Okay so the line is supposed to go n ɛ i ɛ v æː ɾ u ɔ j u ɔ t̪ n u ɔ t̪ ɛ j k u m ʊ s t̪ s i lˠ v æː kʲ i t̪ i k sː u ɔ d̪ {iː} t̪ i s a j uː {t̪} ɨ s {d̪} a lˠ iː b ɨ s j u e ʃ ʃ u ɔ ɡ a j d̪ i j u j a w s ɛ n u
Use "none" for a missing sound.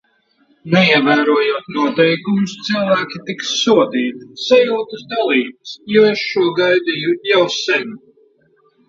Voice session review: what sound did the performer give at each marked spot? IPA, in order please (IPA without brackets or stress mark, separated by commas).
iː, t̪, d̪